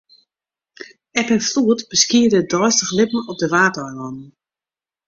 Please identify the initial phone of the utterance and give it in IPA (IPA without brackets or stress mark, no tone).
ɛ